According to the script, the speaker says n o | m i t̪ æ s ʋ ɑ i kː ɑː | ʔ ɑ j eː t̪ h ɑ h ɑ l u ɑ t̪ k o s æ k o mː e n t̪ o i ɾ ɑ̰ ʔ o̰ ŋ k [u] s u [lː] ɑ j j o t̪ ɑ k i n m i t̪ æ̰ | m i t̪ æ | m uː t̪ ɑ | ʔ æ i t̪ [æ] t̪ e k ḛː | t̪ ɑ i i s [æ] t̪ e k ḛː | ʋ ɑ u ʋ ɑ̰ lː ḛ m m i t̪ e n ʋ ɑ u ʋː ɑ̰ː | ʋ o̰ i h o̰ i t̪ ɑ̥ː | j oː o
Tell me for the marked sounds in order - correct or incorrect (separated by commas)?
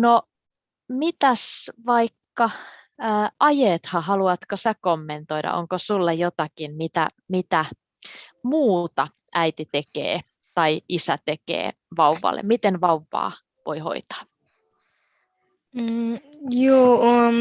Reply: incorrect, correct, incorrect, correct